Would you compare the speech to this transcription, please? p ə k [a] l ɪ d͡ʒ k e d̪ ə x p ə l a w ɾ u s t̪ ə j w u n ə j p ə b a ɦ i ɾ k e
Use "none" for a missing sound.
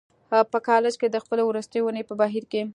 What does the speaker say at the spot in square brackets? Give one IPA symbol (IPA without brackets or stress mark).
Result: ɑ